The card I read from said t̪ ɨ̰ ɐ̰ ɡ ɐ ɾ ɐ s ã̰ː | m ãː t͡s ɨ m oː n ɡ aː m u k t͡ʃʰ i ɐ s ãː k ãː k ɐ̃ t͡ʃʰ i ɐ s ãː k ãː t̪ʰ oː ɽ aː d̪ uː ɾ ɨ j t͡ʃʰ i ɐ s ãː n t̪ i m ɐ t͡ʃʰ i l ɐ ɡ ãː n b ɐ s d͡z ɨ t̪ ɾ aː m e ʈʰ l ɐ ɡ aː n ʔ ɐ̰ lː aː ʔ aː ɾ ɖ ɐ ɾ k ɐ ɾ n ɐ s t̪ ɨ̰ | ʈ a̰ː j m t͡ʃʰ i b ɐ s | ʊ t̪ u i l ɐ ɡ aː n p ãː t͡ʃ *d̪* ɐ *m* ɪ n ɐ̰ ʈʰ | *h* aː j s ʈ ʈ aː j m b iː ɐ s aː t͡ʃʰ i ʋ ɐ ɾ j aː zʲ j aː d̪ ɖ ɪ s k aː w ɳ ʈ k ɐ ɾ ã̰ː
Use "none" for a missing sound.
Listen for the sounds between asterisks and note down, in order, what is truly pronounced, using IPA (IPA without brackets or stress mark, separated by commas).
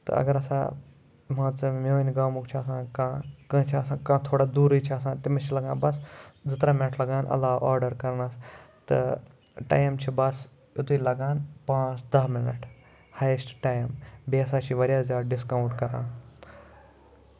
d̪, m, h